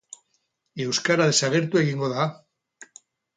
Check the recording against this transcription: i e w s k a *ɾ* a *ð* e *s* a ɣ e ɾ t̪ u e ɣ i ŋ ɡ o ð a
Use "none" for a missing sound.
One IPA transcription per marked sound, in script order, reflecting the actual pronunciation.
ɾ, ð, s

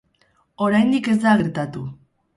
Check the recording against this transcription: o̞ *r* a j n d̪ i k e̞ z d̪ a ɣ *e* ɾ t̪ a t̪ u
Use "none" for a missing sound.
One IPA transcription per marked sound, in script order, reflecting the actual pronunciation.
ɾ, e

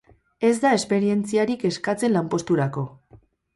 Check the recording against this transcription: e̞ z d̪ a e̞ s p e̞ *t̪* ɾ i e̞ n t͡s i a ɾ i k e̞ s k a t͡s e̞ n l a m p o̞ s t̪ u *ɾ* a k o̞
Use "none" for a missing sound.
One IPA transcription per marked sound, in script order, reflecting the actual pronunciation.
none, ɾ

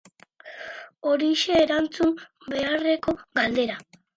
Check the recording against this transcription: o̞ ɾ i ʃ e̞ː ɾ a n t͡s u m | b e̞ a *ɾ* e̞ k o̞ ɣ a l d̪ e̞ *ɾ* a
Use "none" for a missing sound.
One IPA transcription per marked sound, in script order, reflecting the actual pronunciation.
r, ɾ

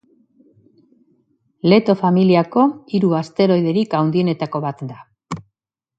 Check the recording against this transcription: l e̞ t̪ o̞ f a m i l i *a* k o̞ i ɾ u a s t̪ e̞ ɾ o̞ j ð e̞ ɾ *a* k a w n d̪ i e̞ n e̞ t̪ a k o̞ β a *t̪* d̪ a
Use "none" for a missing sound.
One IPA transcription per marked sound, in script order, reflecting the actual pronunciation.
a, i, t̪

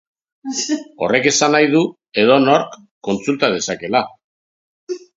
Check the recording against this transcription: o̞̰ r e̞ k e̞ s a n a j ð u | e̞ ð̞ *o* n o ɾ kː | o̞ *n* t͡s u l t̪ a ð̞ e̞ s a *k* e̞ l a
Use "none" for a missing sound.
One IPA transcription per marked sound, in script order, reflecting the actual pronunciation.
o, n, k

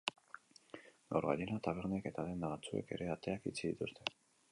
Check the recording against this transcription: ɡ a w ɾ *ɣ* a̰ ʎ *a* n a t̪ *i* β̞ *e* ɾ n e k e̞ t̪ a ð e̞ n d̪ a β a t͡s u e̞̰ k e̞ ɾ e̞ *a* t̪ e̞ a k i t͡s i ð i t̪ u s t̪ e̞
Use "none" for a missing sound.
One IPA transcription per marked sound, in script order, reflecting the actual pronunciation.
ɣ, e, a, e, a

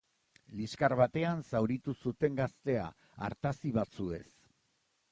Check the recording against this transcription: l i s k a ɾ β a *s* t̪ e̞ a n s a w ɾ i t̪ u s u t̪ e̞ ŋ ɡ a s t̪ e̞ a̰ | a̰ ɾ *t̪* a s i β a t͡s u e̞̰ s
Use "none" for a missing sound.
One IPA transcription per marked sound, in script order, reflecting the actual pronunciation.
none, t̪

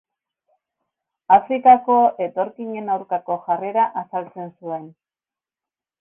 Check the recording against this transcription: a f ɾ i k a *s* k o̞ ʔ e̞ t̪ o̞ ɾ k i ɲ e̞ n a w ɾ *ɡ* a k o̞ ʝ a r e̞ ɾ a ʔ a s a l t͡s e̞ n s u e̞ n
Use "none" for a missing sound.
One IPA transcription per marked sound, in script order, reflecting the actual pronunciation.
none, k

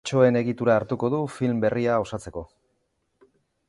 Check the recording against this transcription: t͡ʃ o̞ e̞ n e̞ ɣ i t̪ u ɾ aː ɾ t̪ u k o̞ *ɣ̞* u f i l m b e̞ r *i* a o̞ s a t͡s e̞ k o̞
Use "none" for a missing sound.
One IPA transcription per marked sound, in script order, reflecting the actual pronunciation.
ð̞, i

